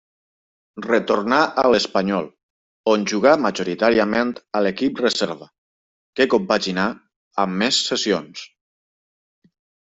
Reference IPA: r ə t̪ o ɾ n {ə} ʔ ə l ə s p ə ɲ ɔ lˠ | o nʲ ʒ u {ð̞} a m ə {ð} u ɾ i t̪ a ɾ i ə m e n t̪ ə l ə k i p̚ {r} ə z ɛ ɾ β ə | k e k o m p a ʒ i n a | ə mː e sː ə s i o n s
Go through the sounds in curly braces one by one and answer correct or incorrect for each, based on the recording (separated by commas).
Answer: incorrect, incorrect, incorrect, correct